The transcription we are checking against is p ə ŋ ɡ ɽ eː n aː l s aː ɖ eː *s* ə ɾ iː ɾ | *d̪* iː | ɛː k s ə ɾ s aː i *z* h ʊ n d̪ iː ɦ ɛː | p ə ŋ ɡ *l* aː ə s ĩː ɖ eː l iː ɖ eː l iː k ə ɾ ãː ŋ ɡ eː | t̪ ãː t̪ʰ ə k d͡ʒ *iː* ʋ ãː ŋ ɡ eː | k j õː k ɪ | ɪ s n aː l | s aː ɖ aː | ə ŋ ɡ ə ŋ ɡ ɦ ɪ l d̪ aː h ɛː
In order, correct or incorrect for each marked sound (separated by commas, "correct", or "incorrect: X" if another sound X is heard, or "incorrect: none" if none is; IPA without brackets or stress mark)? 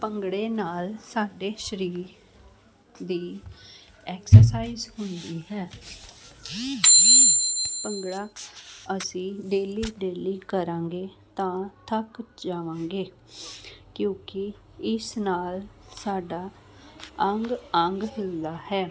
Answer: incorrect: ʃ, correct, correct, incorrect: ɽ, incorrect: aː